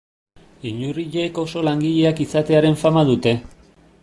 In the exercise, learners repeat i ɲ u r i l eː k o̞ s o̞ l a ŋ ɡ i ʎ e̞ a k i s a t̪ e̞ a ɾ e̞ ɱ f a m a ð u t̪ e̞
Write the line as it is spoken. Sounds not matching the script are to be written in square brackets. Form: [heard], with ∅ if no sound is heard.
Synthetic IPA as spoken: i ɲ u r i [ʎ] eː k o̞ s o̞ l a ŋ ɡ i ʎ e̞ a k i s a t̪ e̞ a ɾ e̞ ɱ f a m a ð u t̪ e̞